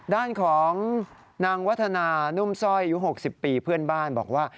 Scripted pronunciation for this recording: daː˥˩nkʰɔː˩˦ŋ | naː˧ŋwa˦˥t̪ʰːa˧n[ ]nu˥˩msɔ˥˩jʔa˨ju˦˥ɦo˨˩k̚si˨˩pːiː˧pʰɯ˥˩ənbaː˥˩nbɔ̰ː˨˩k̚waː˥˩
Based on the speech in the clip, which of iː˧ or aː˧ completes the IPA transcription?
aː˧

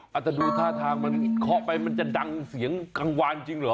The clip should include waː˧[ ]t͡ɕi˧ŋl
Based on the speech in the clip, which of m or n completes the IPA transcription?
n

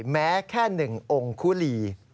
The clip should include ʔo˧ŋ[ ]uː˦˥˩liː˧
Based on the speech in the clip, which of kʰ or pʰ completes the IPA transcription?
kʰ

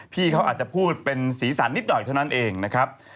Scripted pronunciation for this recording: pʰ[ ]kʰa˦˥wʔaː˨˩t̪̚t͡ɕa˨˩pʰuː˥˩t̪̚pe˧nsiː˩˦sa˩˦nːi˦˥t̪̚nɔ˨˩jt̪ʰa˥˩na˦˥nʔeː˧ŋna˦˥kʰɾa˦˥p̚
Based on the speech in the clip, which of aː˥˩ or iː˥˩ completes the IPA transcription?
iː˥˩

